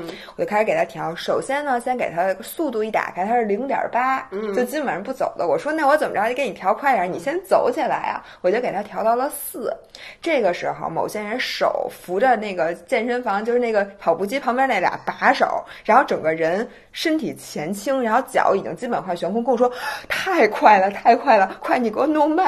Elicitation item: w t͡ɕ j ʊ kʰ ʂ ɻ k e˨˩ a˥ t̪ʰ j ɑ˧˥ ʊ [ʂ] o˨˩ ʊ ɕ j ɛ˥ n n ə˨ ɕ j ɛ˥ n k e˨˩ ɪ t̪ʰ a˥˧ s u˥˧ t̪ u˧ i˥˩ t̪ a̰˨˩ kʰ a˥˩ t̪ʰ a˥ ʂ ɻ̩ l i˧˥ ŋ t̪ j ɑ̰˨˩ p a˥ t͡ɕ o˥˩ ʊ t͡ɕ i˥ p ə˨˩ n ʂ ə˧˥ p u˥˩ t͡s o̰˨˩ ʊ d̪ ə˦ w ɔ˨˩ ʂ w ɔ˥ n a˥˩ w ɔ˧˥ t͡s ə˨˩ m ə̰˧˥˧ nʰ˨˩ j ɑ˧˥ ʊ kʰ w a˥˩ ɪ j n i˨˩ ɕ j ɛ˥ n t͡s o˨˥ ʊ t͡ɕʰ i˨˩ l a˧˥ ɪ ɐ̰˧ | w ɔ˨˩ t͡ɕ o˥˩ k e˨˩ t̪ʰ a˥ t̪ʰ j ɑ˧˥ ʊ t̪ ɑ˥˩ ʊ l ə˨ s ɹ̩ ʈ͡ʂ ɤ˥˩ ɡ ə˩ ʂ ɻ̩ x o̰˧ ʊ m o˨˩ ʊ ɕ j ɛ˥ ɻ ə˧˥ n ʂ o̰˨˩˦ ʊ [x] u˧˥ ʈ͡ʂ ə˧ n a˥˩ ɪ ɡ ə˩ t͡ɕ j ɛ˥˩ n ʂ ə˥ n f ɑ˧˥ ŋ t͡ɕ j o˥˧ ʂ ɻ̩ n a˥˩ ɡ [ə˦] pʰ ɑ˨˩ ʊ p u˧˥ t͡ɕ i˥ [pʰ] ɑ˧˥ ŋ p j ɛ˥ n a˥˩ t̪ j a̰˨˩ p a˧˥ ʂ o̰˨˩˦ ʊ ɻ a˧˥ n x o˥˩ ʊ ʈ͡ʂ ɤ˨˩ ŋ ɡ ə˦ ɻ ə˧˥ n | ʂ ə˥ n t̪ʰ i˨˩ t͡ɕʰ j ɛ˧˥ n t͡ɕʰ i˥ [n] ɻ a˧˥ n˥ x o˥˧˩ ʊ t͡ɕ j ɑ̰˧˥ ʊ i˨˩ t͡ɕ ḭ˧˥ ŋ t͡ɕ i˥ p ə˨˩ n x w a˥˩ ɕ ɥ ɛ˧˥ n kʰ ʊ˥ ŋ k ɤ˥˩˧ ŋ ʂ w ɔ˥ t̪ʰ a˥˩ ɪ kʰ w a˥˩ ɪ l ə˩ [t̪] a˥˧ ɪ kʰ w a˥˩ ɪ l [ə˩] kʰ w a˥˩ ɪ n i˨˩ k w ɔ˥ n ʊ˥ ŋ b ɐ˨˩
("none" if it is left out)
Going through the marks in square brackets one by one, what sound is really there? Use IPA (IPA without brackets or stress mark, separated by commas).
ʂ, f, ə˩, pʰ, ŋ, t̪ʰ, ə˩